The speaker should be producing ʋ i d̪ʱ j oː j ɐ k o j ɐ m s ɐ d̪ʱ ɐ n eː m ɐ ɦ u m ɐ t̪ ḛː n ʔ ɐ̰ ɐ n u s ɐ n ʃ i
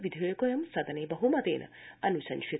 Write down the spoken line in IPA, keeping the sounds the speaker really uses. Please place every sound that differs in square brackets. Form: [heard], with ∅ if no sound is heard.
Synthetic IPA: ʋ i d̪ʱ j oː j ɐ k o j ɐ m s ɐ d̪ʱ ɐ n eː [b] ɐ ɦ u m ɐ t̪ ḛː n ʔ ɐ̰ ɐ n u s ɐ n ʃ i

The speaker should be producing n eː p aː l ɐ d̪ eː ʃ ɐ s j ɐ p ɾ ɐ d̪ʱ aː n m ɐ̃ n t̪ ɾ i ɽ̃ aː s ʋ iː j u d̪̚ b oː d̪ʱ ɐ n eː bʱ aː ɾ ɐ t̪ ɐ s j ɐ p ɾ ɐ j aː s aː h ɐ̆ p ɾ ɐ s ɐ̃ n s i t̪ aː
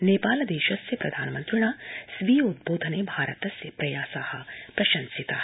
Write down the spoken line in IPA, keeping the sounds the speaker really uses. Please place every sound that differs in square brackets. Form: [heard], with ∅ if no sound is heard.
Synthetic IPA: n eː p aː l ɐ d̪ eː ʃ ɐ s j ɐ p ɾ ɐ d̪ʱ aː n m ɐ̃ n t̪ ɾ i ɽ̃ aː s ʋ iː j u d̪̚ b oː d̪ʱ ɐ n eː bʱ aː ɾ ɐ t̪ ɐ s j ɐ p ɾ ɐ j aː s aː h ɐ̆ p ɾ ɐ [ʃ] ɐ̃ n s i t̪ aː

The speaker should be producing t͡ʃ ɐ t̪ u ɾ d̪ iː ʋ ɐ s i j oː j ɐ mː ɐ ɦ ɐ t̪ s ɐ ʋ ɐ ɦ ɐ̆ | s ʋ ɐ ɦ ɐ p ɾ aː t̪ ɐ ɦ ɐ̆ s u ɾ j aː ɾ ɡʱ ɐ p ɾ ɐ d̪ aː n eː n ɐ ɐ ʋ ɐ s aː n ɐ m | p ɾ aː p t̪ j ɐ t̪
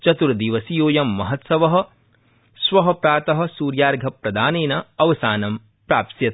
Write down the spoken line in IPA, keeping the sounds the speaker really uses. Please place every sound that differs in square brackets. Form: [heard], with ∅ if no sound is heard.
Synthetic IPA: t͡ʃ ɐ t̪ u ɾ d̪ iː ʋ ɐ s i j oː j ɐ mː ɐ ɦ ɐ t̪ s ɐ ʋ ɐ ɦ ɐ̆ | s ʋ ɐ ɦ ɐ p ɾ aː t̪ ɐ ɦ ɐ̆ s [uː] ɾ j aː ɾ ɡʱ ɐ p ɾ ɐ d̪ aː n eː n ɐ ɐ ʋ ɐ s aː n ɐ m | p ɾ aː p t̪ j ɐ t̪

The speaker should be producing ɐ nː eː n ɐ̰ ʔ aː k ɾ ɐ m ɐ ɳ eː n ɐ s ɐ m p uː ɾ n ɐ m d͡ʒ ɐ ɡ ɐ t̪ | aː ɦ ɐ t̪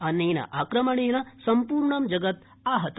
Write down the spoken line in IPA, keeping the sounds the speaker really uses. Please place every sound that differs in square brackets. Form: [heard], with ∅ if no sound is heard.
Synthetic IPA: ɐ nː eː n ɐ̰ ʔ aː k ɾ ɐ m ɐ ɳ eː n ɐ s ɐ m p uː ɾ [ɳ] ɐ m d͡ʒ ɐ ɡ ɐ t̪ | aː ɦ ɐ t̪

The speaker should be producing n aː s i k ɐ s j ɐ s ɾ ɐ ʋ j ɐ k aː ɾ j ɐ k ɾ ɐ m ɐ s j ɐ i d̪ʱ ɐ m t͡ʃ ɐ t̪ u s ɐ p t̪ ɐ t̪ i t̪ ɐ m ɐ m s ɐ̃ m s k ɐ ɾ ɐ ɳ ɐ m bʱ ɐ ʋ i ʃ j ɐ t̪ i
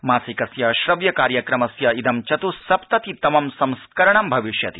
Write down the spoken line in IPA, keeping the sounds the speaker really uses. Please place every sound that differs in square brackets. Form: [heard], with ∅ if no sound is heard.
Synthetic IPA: [m] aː s i k ɐ s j ɐ [ʃ] ɾ ɐ ʋ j ɐ k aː ɾ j ɐ k ɾ ɐ m ɐ s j ɐ i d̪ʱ ɐ m t͡ʃ ɐ t̪ u s ɐ p t̪ ɐ t̪ i t̪ ɐ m ɐ m s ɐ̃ m s k ɐ ɾ ɐ ɳ ɐ m bʱ ɐ ʋ i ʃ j ɐ t̪ i

